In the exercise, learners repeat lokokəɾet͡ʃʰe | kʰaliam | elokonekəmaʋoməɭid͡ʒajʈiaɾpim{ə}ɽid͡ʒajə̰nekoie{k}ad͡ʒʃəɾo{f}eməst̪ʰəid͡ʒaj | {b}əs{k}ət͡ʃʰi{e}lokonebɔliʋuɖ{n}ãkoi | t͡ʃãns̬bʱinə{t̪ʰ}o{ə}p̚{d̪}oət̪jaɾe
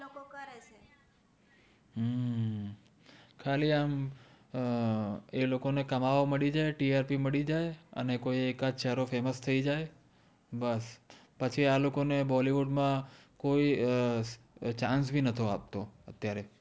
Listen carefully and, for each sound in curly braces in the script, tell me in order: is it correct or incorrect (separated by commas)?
correct, correct, correct, correct, incorrect, incorrect, incorrect, correct, incorrect, incorrect